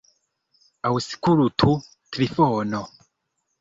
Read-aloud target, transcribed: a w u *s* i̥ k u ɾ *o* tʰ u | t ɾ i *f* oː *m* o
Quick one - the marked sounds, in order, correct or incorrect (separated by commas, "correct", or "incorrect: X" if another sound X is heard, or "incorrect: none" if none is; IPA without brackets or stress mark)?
correct, incorrect: u, correct, incorrect: n